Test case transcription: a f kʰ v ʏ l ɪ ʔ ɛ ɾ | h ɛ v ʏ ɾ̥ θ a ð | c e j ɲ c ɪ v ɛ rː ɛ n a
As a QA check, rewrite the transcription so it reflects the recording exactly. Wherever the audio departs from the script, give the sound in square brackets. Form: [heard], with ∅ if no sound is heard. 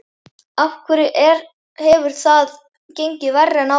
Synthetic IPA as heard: a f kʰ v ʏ [ɾ] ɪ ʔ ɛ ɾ | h ɛ v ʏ ɾ̥ θ a ð | c e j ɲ c ɪ v ɛ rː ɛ n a